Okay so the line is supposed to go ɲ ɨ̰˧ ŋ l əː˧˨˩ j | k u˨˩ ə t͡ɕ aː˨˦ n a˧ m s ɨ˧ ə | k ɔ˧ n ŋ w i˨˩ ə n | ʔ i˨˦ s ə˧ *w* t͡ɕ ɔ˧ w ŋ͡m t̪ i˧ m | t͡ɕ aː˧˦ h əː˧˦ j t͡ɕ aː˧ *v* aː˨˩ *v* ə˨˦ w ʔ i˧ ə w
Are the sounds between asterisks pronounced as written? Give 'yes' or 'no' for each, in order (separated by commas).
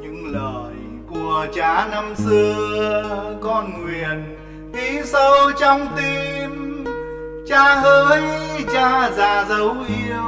yes, no, no